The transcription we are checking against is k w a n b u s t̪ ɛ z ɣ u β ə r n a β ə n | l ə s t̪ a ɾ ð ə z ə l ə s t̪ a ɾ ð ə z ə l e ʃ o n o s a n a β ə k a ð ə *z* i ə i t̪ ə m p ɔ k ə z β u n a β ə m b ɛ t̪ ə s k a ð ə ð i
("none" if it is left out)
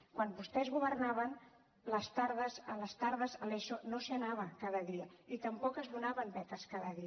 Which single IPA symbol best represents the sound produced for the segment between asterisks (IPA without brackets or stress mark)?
ð